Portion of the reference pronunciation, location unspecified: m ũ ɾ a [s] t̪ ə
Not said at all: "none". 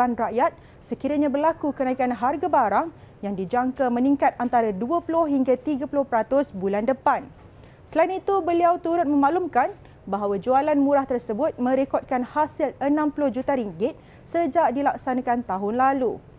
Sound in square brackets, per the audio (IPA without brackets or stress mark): h